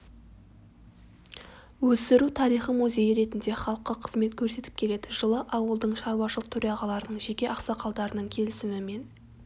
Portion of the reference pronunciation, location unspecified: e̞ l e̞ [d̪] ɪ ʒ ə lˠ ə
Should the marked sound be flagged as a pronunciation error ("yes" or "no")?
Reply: no